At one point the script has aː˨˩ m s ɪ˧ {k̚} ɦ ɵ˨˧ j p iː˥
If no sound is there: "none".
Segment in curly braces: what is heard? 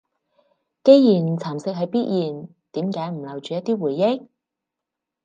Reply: k̚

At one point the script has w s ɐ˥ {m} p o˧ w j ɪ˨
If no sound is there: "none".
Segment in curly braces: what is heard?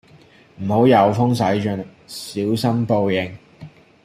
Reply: m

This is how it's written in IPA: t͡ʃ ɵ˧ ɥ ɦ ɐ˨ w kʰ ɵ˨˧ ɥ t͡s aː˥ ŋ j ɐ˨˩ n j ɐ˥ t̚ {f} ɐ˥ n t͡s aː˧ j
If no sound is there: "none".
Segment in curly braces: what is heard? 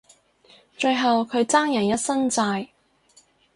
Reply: s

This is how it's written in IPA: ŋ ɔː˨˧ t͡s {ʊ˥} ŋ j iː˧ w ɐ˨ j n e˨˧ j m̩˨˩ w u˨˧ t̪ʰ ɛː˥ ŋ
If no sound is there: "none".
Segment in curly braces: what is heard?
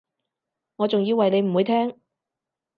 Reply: ʊ˨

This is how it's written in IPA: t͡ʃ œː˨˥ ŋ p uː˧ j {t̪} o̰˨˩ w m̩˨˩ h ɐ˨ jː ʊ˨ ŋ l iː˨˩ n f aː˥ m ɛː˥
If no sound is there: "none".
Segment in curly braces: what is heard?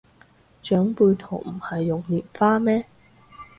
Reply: t̪ʰ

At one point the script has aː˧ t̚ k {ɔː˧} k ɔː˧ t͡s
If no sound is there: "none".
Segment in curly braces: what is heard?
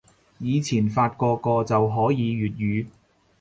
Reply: ɔː˧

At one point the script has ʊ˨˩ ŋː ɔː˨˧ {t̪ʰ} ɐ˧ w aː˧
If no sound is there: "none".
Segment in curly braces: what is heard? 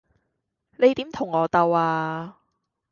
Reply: t̪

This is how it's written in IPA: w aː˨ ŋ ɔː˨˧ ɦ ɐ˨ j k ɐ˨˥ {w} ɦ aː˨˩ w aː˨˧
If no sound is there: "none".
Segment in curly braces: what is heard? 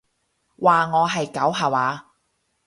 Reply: w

